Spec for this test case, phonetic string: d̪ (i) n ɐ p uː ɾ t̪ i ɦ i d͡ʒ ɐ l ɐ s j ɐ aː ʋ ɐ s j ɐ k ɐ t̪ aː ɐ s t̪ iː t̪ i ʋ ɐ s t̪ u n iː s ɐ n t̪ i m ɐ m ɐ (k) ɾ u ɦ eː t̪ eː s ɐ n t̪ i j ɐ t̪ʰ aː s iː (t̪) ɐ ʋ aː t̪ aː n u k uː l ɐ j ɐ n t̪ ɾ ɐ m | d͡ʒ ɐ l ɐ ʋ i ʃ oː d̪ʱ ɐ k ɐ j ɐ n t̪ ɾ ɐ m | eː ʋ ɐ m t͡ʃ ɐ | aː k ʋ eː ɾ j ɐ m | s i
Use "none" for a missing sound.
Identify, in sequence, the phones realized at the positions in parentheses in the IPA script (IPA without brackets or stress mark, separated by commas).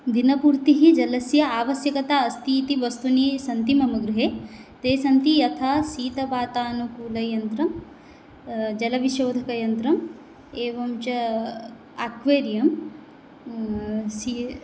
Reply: i, ɡ, t̪